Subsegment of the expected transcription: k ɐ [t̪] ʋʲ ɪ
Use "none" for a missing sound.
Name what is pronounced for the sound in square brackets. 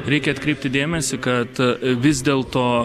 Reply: t̪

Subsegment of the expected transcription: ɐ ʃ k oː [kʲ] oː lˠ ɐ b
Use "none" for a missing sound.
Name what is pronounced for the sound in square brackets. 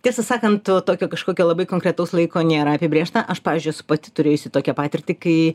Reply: kʲ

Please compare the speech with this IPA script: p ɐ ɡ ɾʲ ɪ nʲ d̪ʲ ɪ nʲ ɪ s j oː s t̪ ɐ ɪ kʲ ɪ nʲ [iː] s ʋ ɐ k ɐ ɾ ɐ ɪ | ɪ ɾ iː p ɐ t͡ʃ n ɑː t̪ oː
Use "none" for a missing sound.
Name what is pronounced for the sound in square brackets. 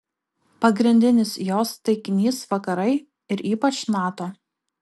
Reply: iː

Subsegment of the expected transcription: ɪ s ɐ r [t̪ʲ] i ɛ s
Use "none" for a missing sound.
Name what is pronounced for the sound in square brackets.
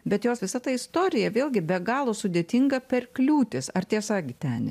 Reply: t̪ʲ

